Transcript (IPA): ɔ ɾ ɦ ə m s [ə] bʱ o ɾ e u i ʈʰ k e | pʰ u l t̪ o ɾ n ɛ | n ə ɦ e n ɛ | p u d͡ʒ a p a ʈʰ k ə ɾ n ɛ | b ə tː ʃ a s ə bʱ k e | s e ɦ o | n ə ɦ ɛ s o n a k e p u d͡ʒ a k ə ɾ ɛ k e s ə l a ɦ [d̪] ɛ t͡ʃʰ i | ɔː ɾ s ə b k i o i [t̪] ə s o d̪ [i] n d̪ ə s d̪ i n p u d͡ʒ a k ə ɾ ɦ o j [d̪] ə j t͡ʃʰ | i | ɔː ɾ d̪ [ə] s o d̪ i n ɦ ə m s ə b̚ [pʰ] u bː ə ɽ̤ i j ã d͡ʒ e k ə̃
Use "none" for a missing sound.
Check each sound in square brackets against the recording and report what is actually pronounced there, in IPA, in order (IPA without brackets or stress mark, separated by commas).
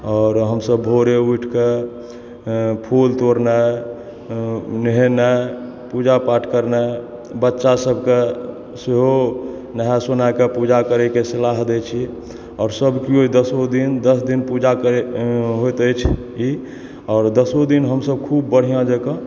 ə, d̪, d̪, i, t̪, ə, kʰ